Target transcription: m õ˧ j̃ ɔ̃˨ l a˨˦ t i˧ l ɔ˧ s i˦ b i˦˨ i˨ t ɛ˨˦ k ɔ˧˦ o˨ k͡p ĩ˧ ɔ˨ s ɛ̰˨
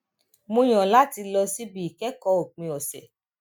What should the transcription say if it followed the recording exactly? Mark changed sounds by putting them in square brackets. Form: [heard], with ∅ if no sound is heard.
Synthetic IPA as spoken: m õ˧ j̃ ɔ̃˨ l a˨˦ t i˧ l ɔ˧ s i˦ b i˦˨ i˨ [k] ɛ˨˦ k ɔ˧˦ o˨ k͡p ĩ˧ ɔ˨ s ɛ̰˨